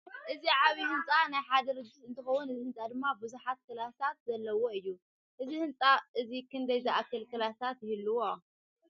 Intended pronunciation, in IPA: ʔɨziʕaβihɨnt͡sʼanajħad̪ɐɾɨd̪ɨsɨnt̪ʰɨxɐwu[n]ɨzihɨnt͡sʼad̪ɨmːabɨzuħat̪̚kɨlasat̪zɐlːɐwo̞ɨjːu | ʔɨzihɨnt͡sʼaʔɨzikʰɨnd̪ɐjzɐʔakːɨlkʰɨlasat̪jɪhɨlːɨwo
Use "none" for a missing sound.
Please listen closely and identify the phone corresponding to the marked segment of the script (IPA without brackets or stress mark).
n